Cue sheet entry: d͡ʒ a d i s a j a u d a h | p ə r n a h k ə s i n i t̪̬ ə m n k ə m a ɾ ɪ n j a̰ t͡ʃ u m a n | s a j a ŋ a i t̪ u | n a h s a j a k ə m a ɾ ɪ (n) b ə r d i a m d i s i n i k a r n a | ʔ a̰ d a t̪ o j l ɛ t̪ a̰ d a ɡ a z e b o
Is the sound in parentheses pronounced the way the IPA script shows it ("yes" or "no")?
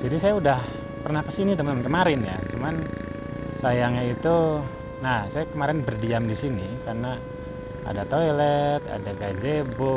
yes